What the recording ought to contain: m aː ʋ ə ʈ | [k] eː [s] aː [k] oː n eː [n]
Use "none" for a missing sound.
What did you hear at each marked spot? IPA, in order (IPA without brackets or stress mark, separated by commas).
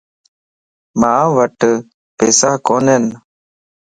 p, s, k, n